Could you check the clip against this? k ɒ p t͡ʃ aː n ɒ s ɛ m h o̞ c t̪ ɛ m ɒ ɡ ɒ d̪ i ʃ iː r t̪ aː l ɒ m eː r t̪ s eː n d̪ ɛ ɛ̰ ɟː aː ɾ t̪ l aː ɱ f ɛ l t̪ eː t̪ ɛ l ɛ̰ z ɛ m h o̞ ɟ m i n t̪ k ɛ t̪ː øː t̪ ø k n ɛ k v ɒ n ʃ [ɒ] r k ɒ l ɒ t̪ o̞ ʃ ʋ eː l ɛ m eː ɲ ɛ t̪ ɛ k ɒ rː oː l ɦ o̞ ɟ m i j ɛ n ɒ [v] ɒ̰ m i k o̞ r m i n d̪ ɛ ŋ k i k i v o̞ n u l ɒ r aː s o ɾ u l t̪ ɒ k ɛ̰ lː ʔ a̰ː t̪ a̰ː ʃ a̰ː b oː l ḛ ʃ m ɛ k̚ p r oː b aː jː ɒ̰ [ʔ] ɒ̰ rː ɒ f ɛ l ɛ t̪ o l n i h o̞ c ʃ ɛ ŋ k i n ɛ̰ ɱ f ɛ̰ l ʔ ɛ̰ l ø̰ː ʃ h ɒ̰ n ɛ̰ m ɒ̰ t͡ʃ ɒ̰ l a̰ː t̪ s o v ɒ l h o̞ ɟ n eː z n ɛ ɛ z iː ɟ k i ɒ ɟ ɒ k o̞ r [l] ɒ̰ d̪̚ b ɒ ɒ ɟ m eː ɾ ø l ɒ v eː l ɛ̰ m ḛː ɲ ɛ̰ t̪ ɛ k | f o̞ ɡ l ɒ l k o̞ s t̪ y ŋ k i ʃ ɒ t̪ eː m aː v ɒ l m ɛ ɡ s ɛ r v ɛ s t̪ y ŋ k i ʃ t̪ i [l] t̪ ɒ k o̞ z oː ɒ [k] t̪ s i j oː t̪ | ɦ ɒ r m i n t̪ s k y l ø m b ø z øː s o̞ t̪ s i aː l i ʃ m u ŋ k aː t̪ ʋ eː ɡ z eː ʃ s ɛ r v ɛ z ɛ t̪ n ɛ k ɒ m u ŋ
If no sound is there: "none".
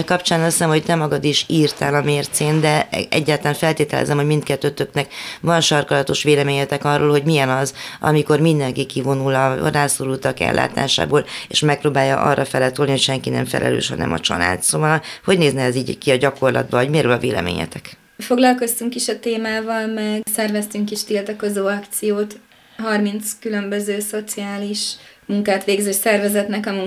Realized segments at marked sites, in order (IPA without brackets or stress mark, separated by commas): ɒ, z, ʔ, l, l, k